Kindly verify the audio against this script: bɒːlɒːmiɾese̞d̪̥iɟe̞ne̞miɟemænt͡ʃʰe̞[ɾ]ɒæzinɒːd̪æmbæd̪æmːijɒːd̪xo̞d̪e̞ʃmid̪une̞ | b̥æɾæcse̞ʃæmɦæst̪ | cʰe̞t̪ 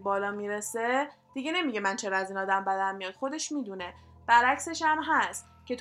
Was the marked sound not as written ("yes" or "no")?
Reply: no